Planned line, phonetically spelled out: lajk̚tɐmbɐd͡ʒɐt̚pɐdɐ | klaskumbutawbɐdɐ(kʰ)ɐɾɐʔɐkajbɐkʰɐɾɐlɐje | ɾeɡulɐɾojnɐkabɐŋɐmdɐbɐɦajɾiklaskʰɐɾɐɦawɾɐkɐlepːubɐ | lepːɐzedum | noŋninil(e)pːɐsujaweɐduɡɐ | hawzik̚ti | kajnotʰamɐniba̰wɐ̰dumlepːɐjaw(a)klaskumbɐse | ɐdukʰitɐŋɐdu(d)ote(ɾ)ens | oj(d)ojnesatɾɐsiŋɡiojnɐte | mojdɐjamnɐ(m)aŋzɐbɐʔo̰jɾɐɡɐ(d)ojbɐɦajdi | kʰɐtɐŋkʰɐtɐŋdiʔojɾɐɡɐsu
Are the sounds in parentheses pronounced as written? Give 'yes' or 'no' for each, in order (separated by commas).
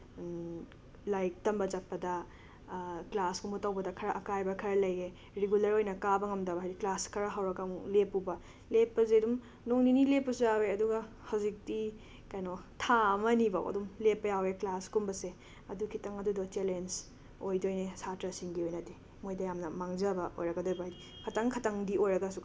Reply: yes, yes, no, yes, no, yes, yes, yes